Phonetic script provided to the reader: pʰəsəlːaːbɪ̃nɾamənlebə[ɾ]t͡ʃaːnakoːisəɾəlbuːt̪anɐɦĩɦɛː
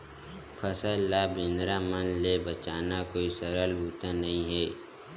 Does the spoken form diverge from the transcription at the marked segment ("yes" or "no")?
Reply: yes